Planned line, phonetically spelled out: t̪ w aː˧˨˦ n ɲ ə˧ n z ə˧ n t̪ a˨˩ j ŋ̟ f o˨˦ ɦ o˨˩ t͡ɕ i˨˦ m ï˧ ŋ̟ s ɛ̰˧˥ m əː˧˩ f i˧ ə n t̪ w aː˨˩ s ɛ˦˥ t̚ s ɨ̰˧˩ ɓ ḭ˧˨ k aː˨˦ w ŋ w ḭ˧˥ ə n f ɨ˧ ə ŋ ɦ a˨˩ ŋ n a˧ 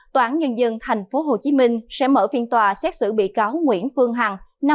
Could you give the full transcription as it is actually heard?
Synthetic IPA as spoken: t̪ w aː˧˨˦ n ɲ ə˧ n z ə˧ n t̪ʰ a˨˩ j ŋ̟ f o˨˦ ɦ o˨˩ t͡ɕ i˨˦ m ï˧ ŋ̟ s ɛ̰˧˥ m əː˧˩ f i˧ ə n t̪ w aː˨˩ s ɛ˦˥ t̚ s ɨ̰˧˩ ɓ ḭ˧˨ k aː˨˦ w ŋ w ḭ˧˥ ə n f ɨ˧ ə ŋ ɦ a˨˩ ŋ n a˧